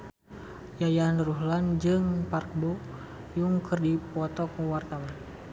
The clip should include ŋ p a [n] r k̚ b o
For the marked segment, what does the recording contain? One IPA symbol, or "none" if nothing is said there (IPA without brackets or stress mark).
none